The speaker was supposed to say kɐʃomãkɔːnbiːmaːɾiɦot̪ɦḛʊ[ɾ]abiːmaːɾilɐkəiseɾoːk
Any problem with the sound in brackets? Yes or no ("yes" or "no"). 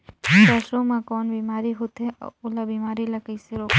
yes